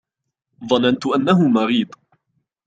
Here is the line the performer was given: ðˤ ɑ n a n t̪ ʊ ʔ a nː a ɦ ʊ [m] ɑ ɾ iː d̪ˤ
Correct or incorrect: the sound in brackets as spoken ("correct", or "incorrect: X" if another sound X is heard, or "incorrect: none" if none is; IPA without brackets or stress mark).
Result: correct